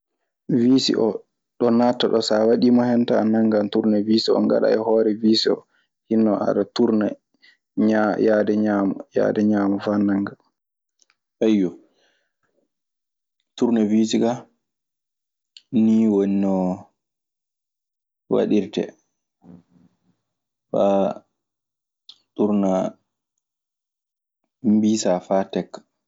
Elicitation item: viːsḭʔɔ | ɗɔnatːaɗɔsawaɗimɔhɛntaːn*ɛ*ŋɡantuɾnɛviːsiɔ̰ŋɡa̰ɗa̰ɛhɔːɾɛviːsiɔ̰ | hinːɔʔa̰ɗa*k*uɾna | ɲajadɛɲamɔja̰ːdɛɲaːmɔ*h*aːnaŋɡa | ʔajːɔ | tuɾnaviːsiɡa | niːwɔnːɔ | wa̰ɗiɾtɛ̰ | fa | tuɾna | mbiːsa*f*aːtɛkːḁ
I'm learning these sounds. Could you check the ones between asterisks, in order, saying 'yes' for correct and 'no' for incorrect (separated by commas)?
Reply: no, no, no, yes